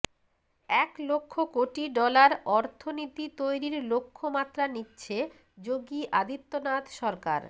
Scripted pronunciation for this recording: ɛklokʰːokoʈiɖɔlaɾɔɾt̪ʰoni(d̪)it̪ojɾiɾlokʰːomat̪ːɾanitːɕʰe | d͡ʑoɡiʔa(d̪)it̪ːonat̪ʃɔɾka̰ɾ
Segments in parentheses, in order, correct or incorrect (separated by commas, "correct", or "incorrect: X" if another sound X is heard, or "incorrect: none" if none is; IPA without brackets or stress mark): incorrect: t̪, correct